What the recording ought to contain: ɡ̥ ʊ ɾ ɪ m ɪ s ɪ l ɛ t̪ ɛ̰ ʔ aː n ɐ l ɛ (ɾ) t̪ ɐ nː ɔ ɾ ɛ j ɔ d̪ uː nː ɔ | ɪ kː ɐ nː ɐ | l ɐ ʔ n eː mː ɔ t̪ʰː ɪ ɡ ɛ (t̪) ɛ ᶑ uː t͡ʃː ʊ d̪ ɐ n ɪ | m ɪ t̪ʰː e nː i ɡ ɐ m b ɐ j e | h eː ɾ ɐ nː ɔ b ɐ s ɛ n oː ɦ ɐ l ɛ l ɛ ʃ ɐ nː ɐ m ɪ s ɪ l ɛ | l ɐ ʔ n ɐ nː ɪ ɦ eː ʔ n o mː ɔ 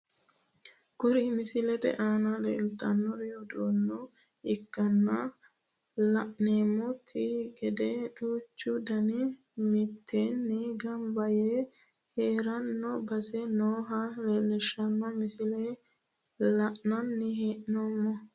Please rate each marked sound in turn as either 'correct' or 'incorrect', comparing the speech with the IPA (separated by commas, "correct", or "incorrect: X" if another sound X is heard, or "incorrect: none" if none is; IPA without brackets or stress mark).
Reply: incorrect: l, incorrect: d̪